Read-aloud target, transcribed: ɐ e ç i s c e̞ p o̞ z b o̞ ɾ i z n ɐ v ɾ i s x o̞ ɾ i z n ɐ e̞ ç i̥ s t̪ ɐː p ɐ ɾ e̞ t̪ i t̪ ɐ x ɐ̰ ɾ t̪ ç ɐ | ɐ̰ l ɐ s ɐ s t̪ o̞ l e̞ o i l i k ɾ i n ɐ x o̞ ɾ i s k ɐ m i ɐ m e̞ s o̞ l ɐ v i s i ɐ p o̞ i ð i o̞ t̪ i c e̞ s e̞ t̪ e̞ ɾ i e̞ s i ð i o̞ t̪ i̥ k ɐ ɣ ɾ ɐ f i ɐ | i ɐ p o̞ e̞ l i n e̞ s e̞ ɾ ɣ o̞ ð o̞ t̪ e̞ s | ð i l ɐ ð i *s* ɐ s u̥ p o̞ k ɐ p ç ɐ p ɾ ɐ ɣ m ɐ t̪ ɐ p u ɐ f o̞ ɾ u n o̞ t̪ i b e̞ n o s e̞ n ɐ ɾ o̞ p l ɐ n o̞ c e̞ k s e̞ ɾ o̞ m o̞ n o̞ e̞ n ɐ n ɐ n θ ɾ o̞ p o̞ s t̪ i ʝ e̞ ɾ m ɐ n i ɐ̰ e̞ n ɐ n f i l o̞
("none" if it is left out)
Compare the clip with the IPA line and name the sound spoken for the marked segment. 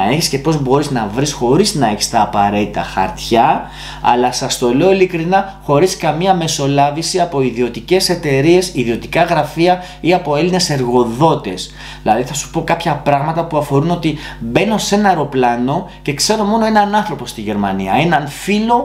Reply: θ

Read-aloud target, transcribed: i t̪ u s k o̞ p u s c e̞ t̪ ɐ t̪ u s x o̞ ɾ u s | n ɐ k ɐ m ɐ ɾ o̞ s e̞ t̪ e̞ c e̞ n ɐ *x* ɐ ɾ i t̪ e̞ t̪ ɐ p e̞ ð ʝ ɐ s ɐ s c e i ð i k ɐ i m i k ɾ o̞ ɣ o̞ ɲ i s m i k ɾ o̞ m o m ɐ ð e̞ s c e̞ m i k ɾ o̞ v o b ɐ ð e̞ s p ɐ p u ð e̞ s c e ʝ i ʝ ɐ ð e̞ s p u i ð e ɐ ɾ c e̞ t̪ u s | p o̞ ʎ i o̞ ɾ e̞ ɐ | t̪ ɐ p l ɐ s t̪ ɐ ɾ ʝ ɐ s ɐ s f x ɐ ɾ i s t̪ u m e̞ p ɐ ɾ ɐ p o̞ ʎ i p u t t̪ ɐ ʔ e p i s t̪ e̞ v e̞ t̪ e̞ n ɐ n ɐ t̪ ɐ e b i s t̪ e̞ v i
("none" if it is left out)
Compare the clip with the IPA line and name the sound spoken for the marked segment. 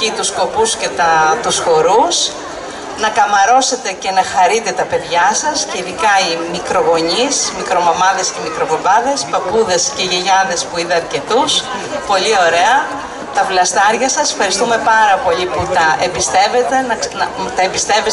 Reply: x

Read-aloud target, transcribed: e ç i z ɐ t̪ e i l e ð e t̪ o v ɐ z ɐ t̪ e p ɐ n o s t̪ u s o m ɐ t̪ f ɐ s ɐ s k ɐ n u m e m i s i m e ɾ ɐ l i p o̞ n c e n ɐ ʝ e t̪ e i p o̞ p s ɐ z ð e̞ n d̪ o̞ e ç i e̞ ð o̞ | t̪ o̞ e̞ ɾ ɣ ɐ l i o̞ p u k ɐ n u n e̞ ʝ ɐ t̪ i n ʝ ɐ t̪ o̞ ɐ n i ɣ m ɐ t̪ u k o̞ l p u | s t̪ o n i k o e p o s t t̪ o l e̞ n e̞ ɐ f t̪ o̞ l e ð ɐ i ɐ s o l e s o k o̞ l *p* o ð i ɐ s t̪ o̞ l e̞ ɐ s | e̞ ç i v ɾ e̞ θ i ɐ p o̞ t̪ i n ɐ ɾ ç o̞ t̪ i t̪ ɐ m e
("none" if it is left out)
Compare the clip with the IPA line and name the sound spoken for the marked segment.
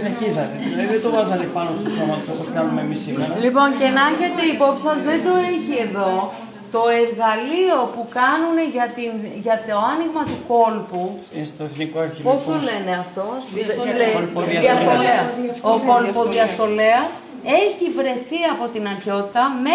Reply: p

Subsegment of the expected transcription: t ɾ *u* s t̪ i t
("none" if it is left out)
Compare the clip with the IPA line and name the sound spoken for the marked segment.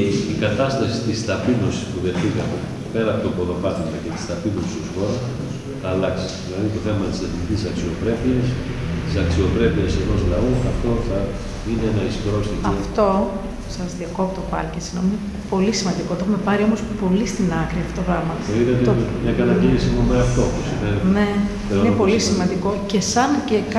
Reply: o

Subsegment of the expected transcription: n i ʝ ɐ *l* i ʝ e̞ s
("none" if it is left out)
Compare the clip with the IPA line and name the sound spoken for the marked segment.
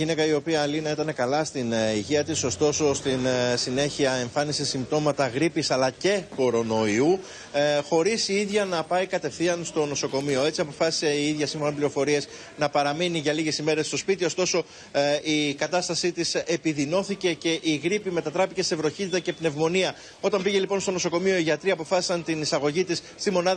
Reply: l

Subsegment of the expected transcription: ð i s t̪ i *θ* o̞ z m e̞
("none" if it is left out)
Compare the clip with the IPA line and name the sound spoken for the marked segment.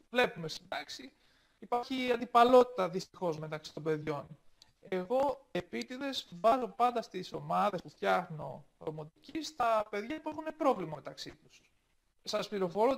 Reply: x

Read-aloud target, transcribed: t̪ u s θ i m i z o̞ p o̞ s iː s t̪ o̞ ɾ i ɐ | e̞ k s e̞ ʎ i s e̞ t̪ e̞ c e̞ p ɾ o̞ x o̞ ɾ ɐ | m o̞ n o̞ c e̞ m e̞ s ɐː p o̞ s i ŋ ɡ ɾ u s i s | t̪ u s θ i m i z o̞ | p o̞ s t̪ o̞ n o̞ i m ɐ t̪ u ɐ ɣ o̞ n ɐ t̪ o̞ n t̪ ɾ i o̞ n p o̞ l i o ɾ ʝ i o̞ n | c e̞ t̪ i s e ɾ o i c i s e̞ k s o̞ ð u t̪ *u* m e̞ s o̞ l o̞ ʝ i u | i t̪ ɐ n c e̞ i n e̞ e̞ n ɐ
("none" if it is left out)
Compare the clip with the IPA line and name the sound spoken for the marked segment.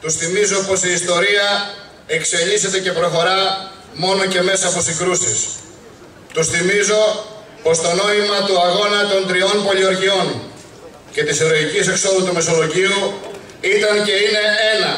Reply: u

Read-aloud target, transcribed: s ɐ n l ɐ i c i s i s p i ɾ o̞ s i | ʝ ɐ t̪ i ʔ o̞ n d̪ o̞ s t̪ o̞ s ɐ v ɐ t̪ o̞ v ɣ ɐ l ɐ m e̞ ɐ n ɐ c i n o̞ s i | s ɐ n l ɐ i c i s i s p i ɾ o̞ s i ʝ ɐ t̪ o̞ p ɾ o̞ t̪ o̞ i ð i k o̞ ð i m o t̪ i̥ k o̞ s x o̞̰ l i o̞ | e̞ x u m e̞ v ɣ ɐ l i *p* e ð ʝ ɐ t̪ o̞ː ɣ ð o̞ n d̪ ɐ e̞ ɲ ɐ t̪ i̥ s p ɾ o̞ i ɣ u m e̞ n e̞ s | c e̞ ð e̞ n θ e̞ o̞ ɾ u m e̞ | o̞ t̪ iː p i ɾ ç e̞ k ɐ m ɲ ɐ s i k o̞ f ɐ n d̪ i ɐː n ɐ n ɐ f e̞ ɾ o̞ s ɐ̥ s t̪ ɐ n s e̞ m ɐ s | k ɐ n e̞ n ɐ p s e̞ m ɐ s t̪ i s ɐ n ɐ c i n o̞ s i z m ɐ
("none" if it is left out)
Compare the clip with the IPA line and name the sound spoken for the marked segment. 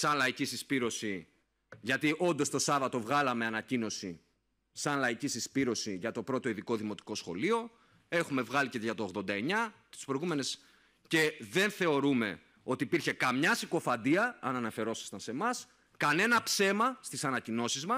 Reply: c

